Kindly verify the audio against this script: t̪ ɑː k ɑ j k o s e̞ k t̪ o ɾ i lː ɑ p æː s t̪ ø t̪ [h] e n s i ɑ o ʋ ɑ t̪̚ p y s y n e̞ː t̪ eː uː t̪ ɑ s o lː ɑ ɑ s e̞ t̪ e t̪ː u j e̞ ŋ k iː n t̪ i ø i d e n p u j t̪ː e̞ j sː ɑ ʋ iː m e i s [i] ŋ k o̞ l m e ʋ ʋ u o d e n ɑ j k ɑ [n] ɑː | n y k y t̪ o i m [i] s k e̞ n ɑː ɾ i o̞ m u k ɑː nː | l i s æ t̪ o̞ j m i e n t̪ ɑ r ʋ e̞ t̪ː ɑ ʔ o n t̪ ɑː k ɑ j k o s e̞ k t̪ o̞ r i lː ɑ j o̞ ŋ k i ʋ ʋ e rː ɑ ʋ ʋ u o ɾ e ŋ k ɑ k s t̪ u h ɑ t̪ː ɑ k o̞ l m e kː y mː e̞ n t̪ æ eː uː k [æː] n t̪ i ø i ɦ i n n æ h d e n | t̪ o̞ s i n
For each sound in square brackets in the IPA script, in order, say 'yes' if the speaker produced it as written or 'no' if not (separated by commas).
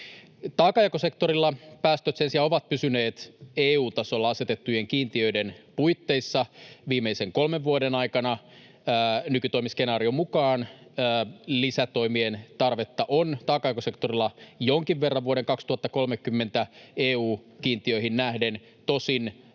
no, no, yes, yes, no